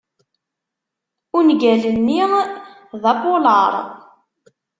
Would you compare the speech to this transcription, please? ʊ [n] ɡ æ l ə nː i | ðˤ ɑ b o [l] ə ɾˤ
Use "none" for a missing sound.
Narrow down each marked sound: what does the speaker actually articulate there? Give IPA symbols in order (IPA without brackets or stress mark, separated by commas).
n, l